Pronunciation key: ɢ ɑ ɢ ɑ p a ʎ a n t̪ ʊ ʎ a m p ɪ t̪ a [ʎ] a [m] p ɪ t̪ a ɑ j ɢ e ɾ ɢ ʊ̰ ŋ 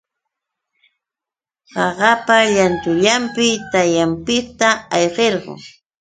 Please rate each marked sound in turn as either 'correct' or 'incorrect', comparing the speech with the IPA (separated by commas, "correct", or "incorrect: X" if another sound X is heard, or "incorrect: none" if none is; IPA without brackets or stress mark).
incorrect: j, correct